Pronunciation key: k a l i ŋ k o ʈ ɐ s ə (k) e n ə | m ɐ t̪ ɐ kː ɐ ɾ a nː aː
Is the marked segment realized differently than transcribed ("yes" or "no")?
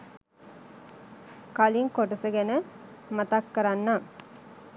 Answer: yes